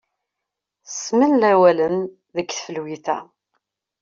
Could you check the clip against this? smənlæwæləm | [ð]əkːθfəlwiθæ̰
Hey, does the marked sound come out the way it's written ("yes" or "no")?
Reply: yes